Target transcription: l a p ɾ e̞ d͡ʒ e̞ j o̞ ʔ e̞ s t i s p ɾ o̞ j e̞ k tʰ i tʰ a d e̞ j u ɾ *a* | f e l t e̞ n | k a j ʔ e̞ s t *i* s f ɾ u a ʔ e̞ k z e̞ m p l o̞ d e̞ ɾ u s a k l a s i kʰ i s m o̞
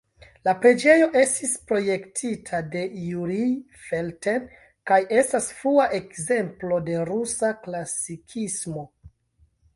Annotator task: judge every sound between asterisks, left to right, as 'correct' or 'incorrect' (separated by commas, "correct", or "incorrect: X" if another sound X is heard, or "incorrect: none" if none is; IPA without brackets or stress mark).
incorrect: i, incorrect: a